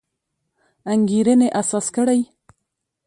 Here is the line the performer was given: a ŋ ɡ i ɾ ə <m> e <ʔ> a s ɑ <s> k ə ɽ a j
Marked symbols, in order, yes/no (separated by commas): no, yes, yes